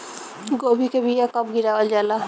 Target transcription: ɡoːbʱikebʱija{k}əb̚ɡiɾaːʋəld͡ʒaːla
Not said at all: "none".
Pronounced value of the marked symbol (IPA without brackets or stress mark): k